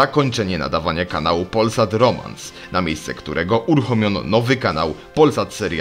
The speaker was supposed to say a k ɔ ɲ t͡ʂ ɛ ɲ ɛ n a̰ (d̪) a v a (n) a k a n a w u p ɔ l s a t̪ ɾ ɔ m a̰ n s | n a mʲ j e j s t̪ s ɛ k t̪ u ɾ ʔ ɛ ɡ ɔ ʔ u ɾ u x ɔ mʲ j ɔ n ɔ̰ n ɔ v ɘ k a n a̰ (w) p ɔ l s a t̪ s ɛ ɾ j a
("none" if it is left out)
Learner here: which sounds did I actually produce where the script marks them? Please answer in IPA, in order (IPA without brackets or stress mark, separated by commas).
d̪, ɲ, w